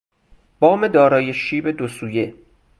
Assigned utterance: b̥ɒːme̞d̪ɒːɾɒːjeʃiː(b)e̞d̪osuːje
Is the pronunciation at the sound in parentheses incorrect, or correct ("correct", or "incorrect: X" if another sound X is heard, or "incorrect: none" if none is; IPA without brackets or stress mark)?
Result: correct